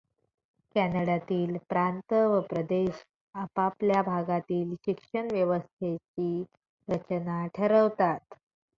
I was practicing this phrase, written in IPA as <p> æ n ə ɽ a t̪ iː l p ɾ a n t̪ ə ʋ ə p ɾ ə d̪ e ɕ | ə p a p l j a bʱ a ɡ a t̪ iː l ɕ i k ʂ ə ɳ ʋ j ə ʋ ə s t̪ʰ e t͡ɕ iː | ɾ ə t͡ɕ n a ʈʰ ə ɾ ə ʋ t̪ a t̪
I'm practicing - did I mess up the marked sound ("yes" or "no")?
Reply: yes